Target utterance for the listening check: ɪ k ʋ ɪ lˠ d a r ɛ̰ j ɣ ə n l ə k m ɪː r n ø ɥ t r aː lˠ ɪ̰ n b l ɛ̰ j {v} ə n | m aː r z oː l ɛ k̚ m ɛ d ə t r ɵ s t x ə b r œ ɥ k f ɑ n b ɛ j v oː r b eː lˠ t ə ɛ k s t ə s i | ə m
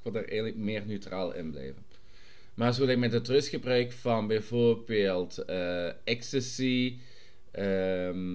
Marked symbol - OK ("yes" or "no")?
yes